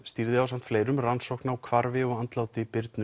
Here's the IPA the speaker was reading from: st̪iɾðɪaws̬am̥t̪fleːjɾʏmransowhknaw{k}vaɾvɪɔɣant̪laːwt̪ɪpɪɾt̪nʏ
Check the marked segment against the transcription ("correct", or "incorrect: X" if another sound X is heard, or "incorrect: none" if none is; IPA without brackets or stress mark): incorrect: kʰ